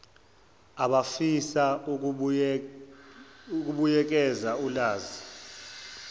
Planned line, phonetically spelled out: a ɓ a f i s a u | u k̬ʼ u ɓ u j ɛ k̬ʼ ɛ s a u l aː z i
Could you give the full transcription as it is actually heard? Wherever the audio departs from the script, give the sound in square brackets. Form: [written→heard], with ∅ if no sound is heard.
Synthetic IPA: a ɓ a f i s a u | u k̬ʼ u ɓ u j ɛ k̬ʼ ɛ [s→z] a u l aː z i